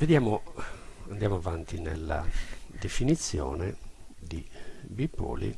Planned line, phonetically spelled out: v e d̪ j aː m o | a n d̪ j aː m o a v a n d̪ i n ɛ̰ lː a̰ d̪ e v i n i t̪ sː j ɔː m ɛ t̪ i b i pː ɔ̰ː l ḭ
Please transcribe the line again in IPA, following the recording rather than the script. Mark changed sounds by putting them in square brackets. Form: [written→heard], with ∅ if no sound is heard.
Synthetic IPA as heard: v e d̪ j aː m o | a n d̪ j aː m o a v a n [d̪→t̪] i n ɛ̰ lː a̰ d̪ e [v→f] i n i t̪ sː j ɔː [m→n] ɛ [t̪→d̪] i b i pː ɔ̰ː l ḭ